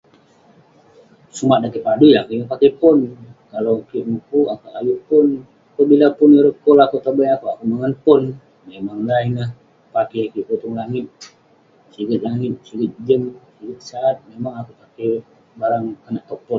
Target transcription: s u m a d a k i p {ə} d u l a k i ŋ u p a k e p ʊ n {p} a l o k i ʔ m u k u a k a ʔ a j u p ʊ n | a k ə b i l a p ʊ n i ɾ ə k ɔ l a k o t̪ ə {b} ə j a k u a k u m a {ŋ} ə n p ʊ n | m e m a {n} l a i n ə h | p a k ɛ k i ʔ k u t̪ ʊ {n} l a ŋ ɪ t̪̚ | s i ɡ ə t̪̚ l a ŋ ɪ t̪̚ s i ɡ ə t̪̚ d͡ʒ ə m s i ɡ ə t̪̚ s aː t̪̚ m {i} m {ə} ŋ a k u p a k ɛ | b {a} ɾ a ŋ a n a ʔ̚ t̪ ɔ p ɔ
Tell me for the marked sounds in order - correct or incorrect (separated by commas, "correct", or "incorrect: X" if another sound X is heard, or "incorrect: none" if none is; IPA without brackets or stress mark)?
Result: incorrect: a, incorrect: k, correct, correct, incorrect: ŋ, incorrect: ŋ, incorrect: e, incorrect: a, correct